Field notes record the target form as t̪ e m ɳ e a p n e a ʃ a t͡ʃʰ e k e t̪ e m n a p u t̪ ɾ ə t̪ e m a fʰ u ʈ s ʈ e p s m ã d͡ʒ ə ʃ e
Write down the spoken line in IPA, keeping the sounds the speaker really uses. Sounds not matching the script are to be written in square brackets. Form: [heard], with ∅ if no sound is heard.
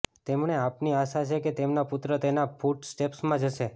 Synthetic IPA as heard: t̪ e m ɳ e a p n [i] a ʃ a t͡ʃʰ e k e t̪ e m n a p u t̪ ɾ ə t̪ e [n] a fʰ u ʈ s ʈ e p s m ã d͡ʒ ə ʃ e